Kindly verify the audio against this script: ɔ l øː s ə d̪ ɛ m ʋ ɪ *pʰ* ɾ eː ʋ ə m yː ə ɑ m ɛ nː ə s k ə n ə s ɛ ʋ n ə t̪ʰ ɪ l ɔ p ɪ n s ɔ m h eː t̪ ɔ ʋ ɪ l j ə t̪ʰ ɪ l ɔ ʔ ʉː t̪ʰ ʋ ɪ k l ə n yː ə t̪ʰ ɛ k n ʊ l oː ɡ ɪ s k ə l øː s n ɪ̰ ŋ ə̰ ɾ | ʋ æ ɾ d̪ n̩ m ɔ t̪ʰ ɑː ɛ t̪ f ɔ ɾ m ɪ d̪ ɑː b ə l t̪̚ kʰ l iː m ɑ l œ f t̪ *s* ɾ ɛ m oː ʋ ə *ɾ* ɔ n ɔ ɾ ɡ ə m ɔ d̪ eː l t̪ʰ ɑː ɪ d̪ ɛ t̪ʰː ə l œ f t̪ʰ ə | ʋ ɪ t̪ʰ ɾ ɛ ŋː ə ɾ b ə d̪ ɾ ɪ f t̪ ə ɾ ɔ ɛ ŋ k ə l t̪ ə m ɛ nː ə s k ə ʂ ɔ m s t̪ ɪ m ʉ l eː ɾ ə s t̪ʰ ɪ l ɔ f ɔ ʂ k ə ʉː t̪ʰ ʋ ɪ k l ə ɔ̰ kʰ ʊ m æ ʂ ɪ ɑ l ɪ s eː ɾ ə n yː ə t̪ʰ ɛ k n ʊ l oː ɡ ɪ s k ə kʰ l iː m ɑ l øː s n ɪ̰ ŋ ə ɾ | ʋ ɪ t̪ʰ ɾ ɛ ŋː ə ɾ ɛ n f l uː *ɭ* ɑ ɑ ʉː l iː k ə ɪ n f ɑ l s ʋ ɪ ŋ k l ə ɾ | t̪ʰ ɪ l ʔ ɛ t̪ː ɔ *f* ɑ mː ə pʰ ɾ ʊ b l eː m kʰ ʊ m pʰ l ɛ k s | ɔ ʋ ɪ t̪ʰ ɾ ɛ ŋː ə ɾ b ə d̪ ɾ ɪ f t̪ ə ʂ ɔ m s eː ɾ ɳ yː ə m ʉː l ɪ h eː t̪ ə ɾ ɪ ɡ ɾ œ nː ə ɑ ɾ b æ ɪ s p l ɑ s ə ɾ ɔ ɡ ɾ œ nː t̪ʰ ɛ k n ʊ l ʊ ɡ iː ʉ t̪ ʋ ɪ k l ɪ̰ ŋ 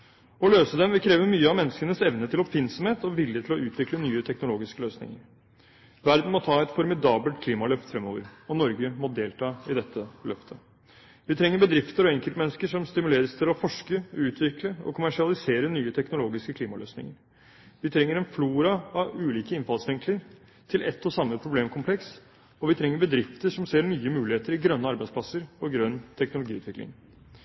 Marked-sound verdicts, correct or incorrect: incorrect, incorrect, correct, incorrect, incorrect

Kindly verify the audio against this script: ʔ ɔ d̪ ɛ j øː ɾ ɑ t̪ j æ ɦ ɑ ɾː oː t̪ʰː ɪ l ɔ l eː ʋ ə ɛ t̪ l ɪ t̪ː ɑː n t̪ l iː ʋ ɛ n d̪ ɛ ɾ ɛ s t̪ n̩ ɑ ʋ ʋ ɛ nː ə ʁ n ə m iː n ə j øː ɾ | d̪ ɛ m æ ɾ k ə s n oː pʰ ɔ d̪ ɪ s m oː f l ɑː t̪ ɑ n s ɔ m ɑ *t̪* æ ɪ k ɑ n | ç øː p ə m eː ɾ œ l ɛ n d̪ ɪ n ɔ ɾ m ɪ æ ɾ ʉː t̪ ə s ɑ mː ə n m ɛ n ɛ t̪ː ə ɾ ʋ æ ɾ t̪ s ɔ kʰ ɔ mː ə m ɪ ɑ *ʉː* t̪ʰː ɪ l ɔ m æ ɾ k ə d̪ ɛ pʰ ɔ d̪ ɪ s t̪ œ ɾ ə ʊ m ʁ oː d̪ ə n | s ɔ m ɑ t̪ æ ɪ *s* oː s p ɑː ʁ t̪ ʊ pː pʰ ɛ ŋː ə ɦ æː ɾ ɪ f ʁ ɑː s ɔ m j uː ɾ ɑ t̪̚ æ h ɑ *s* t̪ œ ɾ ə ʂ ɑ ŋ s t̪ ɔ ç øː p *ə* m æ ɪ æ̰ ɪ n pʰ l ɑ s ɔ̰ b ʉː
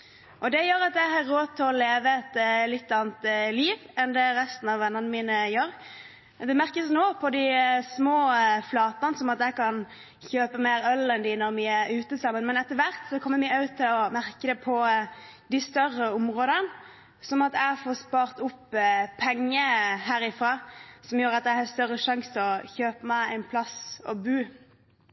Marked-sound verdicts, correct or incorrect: correct, incorrect, incorrect, correct, correct

